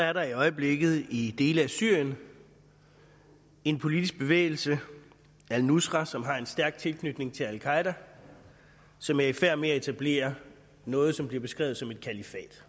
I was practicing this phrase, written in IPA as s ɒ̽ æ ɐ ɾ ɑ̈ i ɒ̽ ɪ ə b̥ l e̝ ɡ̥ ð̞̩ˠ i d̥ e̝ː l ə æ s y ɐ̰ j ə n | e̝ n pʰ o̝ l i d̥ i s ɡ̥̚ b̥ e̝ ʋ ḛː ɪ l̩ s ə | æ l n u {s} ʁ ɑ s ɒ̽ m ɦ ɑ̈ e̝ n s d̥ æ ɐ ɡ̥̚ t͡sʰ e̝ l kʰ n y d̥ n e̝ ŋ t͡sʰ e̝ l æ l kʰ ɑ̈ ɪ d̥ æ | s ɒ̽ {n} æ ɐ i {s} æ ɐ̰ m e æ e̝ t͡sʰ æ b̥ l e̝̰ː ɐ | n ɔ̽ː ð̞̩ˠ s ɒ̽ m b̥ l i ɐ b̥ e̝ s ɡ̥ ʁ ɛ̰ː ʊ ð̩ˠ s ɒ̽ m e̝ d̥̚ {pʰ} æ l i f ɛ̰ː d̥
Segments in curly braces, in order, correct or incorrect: correct, incorrect: m, incorrect: f, incorrect: kʰ

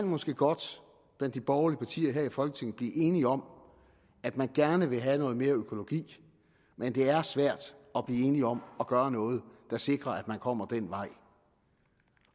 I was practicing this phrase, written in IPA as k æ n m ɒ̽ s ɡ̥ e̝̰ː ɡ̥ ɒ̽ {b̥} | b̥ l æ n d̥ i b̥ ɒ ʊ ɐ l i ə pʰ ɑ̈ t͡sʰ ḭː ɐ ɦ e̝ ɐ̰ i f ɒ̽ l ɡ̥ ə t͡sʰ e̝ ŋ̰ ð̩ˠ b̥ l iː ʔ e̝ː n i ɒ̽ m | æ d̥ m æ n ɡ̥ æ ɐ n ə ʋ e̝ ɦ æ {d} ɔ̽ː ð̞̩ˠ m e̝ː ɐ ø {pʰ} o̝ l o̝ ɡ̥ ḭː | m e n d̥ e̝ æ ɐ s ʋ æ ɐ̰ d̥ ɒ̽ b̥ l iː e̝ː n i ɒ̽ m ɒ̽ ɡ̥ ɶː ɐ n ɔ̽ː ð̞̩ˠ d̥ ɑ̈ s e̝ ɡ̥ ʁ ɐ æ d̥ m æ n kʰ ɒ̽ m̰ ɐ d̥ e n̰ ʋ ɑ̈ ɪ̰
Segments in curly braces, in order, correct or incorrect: incorrect: d̥, incorrect: n, incorrect: kʰ

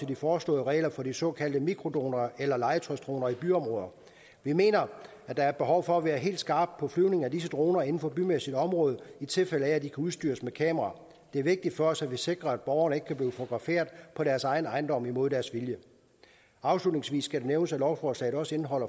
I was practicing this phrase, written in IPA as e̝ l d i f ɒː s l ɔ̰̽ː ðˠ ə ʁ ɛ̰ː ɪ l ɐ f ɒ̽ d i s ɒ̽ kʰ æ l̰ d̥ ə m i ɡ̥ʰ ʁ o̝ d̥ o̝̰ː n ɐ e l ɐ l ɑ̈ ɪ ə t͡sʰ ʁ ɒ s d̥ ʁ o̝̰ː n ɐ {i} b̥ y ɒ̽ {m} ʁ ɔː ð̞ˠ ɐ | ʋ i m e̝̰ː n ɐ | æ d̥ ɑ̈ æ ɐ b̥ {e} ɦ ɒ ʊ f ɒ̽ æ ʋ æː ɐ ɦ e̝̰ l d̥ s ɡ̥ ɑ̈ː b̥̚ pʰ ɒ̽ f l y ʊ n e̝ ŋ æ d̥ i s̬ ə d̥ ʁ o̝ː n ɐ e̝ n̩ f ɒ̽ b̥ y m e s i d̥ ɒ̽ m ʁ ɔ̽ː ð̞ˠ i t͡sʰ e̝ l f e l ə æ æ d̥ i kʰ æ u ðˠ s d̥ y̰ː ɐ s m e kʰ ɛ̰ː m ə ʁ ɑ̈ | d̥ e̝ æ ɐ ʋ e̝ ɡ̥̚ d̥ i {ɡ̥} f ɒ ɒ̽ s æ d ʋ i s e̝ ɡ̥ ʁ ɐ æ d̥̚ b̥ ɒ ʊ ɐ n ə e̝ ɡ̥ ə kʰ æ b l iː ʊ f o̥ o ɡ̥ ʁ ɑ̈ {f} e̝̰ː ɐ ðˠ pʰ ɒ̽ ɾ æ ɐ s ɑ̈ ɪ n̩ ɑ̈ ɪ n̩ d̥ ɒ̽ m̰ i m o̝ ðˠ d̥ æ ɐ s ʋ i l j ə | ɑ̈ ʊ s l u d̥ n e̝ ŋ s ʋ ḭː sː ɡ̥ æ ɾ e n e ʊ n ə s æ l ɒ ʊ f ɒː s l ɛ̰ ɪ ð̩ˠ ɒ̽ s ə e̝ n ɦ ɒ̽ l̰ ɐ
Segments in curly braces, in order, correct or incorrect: correct, correct, correct, incorrect: d̥, correct

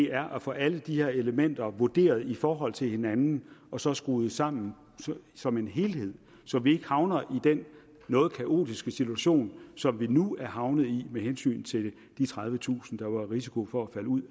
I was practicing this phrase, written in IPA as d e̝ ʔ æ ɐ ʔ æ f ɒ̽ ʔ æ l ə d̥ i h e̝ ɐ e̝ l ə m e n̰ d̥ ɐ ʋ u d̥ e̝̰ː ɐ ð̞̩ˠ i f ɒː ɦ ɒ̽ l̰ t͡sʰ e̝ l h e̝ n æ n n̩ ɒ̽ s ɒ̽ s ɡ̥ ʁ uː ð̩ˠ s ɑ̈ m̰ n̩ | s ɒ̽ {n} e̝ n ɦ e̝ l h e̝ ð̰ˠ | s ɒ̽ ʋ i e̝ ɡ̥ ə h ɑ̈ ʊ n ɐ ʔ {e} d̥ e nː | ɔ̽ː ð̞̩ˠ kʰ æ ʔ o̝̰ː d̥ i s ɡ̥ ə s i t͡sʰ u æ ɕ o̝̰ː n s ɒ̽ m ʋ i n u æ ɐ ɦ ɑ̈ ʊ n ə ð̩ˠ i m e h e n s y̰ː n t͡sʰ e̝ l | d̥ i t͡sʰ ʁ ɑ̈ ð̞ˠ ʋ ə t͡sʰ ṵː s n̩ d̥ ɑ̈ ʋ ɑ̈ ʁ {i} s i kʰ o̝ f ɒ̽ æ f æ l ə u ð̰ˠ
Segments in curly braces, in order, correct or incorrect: incorrect: m, incorrect: i, correct

